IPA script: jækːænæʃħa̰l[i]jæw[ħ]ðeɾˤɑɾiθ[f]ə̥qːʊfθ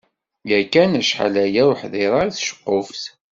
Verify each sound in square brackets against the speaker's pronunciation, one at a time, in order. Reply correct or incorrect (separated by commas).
incorrect, correct, incorrect